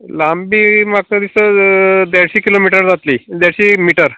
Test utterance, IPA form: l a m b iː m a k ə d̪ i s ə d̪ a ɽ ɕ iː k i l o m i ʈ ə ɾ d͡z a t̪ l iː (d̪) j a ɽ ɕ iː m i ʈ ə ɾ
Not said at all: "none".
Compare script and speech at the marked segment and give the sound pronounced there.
d̪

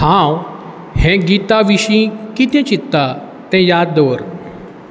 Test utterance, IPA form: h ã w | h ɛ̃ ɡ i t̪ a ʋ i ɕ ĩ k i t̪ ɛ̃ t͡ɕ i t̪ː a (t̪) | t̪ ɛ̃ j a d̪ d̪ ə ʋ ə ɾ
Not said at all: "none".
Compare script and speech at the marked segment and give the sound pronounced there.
none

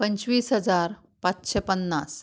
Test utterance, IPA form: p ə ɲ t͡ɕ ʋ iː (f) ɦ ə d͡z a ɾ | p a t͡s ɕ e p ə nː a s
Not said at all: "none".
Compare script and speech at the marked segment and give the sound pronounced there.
s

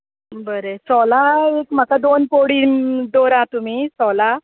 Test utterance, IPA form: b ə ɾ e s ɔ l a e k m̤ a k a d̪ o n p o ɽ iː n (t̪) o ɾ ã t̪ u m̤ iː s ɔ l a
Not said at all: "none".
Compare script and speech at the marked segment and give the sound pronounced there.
d̪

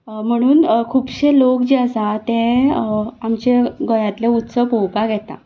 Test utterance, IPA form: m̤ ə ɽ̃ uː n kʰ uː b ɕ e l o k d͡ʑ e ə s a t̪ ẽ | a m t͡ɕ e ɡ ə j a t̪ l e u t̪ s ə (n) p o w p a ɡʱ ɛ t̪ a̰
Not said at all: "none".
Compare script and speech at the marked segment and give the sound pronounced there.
none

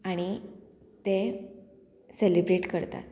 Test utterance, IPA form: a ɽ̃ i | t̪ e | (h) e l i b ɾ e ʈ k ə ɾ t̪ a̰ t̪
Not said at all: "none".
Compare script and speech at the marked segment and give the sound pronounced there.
s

